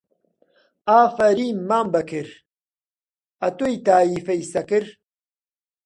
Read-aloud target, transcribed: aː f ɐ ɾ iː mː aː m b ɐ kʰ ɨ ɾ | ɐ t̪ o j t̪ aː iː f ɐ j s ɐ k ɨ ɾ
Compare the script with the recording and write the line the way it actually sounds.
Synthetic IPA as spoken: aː f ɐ ɾ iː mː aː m b ɐ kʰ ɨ ɾ | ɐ t̪ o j t̪ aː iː f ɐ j s ɐ k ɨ ɾ